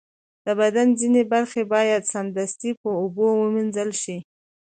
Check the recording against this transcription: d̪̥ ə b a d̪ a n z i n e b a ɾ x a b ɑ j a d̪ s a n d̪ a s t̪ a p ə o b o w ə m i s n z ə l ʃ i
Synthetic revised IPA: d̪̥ ə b a d̪ a n z i n e b a ɾ x e b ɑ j a d̪ s a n d̪ a s t̪ i p ə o b o w ə m i n z ə l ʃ i